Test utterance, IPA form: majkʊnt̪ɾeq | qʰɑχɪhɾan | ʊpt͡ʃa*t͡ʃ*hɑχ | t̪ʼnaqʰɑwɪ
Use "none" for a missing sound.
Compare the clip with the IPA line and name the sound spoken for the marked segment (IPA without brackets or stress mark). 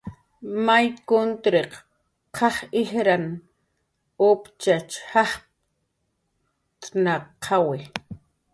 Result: t͡ʃ